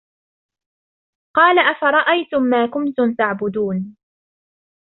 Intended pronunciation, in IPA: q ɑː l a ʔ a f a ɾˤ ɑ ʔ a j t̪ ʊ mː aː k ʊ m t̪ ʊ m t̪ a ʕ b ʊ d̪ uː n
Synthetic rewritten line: q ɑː l a ʔ a f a ɾˤ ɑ ʔ a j t̪ ʊ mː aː k ʊ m t̪ ʊ m t̪ a ʕ b ʊ d̪ uː n